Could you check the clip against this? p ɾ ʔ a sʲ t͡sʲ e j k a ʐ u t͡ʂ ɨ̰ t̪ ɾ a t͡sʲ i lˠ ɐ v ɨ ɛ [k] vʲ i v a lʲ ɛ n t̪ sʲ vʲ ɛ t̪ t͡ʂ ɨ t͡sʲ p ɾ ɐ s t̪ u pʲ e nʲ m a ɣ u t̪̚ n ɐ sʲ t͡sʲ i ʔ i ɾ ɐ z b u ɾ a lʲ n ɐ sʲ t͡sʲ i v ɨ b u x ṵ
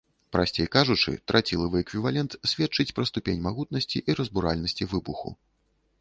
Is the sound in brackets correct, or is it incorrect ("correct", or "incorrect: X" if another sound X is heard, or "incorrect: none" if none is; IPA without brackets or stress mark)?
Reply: correct